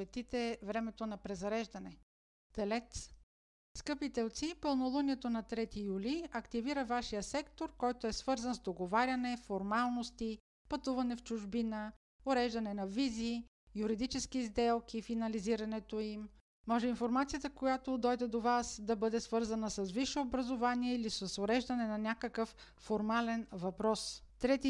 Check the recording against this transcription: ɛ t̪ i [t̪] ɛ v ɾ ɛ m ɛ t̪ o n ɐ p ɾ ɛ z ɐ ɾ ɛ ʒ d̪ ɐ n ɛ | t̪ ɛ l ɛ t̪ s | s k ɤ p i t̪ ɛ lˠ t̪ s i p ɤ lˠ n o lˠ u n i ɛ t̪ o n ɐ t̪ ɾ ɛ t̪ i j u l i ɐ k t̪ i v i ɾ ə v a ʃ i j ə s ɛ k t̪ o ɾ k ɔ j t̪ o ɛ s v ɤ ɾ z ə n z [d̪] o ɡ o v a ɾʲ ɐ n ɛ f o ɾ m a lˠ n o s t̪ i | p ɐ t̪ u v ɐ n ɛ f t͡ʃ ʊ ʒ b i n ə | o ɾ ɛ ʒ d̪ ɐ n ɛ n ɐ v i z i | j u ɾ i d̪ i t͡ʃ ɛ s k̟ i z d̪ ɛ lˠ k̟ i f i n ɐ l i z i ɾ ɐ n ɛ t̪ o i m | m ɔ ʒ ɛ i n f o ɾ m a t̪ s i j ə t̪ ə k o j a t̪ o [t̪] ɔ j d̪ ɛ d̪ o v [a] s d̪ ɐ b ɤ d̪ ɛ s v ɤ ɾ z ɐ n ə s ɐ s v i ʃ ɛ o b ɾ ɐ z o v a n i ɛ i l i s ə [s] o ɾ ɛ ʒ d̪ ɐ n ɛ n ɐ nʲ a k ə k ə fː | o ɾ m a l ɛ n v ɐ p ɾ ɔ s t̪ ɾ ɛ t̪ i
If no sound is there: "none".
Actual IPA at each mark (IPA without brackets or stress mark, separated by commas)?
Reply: t̪, d̪, d̪, a, s